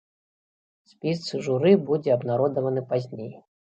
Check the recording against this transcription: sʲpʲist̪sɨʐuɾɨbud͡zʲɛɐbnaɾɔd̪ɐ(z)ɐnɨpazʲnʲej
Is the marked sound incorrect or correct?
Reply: incorrect